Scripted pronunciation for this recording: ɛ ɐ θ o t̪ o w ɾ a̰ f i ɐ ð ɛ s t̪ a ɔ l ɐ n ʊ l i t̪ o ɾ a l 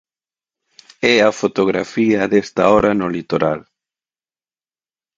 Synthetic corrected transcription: ɛ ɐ f o t̪ o ɣ ɾ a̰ f i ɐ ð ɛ s t̪ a ɔ ɾ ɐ n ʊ l i t̪ o ɾ a l